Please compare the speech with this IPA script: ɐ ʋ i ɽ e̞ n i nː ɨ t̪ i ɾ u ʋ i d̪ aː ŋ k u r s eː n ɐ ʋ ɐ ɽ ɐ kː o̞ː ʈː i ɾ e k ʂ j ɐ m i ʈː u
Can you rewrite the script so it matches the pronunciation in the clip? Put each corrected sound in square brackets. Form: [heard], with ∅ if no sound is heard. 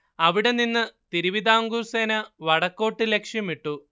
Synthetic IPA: ɐ ʋ i ɽ e̞ n i nː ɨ t̪ i ɾ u ʋ i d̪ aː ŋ [ɡ] u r s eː n ɐ ʋ ɐ ɽ ɐ kː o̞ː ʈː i [l] e k ʂ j ɐ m i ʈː u